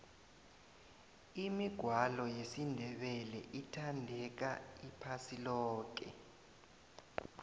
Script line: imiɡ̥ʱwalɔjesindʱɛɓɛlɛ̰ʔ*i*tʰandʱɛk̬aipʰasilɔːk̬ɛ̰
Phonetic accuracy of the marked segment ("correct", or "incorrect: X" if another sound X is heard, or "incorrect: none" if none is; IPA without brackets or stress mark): correct